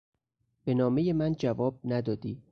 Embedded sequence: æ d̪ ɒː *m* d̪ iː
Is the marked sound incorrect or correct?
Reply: incorrect